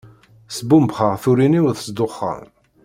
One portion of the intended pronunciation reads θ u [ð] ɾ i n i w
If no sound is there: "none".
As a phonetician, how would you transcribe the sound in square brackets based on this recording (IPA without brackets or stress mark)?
none